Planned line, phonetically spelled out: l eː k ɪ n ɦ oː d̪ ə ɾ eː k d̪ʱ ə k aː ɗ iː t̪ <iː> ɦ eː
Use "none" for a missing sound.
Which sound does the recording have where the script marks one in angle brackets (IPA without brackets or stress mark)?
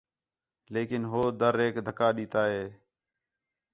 aː